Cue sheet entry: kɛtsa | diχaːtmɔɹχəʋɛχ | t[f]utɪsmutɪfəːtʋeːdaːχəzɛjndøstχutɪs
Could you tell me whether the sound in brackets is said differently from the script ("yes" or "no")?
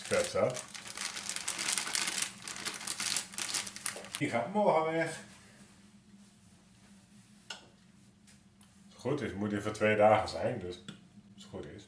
yes